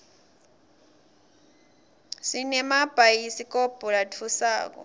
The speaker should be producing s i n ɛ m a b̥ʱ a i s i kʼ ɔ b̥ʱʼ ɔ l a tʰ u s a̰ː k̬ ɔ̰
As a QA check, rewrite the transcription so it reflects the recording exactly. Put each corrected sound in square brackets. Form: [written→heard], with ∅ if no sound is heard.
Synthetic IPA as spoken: s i n ɛ m a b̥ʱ a i s i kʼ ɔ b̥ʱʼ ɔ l a tʰ u s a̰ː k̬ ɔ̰